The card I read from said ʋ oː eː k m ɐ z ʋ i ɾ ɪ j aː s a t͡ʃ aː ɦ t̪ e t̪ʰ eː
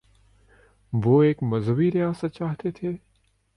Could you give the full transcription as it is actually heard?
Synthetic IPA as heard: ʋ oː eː k m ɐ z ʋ i ɾ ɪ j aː s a t͡ʃ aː ɦ t̪ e t̪ʰ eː